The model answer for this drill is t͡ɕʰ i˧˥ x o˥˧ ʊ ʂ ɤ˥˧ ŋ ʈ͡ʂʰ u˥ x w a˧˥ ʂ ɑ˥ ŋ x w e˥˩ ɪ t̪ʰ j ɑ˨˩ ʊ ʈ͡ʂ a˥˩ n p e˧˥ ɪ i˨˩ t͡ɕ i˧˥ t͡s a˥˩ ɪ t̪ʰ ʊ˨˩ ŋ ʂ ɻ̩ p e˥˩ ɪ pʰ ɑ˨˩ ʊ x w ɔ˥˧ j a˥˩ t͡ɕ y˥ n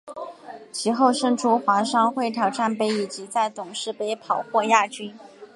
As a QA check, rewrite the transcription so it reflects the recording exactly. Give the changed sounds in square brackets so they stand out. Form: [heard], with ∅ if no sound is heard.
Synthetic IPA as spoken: t͡ɕʰ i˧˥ x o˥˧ ʊ ʂ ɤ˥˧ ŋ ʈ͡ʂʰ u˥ x w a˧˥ ʂ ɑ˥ ŋ x w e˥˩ ɪ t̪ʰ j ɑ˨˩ ʊ ʈ͡ʂ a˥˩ n p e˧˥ ɪ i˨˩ t͡ɕ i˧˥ t͡s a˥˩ ɪ [t̪] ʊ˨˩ ŋ ʂ ɻ̩ p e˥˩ ɪ pʰ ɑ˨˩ ʊ x w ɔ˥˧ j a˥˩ t͡ɕ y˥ n